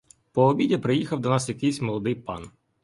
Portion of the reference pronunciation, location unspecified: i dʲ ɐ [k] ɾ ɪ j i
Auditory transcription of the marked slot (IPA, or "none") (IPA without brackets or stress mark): p